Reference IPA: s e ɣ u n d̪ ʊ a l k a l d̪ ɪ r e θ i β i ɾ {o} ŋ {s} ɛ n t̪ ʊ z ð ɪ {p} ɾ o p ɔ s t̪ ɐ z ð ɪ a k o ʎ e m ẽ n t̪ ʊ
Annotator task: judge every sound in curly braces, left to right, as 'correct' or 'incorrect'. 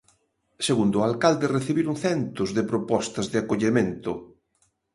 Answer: incorrect: u, incorrect: θ, correct

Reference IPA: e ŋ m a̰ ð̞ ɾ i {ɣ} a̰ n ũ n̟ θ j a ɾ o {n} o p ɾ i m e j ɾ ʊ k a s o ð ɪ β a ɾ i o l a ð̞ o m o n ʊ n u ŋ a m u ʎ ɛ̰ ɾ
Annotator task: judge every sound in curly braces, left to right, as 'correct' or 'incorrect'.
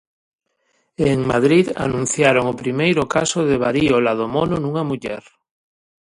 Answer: incorrect: ð, incorrect: ŋ

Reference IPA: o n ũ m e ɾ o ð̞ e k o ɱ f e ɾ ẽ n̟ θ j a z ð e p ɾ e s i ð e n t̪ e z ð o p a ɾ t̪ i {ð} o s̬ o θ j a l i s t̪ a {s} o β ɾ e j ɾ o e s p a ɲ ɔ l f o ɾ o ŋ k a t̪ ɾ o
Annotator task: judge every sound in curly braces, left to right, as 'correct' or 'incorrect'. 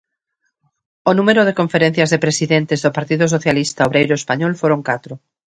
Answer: correct, incorrect: none

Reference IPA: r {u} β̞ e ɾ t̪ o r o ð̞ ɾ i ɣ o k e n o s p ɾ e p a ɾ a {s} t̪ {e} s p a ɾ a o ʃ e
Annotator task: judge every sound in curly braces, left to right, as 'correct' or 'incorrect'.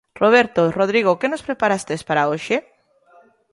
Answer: incorrect: o, correct, correct

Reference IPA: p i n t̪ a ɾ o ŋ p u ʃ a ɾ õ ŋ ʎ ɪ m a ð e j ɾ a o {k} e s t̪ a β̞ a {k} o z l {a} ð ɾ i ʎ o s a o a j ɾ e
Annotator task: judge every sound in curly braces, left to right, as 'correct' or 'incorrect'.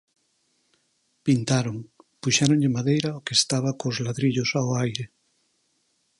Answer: correct, correct, correct

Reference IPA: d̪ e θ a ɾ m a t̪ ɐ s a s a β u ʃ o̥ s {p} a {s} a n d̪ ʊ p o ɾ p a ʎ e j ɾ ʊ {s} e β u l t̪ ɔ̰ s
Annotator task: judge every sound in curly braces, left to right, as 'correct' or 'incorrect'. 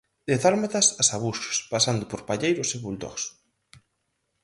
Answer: correct, correct, correct

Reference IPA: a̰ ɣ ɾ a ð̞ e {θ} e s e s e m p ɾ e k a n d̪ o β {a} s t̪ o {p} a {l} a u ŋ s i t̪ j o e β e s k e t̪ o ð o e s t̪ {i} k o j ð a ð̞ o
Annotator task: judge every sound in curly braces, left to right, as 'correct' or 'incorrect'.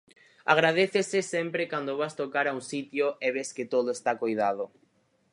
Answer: correct, correct, incorrect: k, incorrect: ɾ, incorrect: a

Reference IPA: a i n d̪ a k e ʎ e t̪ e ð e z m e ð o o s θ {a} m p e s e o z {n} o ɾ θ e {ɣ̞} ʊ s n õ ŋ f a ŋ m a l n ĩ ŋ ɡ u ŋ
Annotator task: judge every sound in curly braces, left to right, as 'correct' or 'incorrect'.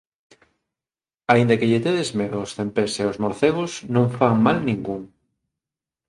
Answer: incorrect: e, incorrect: m, correct

